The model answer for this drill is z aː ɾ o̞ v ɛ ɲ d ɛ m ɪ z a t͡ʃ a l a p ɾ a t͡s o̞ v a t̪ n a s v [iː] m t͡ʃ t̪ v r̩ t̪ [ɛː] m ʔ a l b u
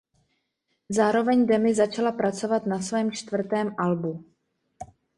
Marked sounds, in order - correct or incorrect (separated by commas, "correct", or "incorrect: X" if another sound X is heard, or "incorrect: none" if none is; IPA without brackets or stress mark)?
incorrect: ɛː, correct